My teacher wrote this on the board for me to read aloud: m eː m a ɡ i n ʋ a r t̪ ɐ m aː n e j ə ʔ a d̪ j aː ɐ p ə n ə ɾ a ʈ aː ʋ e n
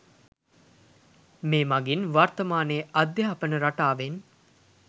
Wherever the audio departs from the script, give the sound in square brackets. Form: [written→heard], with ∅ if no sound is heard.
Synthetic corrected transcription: m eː m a ɡ i n ʋ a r t̪ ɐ m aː n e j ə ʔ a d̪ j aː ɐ p ə n ə ɾ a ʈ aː ʋ e n

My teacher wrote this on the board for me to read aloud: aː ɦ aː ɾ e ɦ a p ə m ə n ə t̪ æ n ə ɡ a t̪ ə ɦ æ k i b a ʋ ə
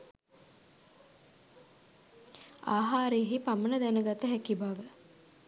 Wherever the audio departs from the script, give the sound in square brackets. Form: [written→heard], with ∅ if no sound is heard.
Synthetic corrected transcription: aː ɦ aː ɾ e ɦ [a→i] p [ə→a] m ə n ə [t̪→d̪] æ n ə ɡ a t̪ ə ɦ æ k i b a ʋ ə

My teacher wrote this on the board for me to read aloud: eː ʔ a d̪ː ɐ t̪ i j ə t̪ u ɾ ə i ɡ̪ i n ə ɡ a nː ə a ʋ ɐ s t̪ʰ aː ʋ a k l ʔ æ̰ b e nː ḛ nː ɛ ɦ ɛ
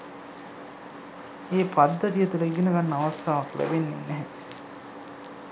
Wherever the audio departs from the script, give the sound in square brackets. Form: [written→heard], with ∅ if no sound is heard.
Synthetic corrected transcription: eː [ʔ→p] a d̪ː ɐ t̪ i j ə t̪ u [ɾ→l] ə i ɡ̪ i n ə ɡ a nː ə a ʋ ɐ s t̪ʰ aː ʋ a k l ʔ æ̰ b e nː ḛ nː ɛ ɦ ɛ

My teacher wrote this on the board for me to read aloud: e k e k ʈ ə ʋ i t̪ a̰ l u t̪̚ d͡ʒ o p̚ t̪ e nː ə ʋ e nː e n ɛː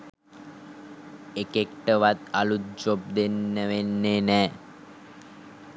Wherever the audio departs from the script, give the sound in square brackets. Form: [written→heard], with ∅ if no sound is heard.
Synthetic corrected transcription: e k e k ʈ ə ʋ [i→a] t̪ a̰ l u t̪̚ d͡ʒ o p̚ [t̪→d̪] e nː ə ʋ e nː e n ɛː

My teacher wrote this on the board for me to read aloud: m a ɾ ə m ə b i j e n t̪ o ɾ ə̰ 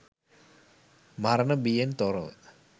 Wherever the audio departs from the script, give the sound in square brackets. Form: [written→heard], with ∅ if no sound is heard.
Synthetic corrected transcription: m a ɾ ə [m→n] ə b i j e n t̪ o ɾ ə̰

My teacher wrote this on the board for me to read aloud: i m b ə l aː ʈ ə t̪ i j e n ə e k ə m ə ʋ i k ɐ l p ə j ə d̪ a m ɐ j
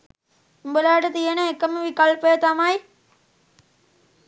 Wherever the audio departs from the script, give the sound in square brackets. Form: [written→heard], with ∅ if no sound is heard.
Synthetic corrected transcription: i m b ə l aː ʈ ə t̪ i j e n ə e k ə m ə ʋ i k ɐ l p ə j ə [d̪→t̪] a m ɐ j

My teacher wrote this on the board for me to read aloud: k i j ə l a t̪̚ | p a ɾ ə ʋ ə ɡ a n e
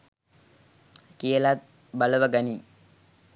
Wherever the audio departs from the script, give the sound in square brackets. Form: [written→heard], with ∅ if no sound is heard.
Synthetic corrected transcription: k i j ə l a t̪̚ | [p→b] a [ɾ→l] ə ʋ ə ɡ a n [e→i]

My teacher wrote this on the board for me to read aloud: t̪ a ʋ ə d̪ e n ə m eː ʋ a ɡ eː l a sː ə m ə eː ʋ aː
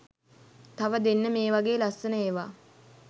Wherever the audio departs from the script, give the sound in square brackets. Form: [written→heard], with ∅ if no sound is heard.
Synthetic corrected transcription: t̪ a ʋ ə d̪ e [n→nː] ə m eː ʋ a ɡ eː l a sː ə [m→n] ə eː ʋ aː

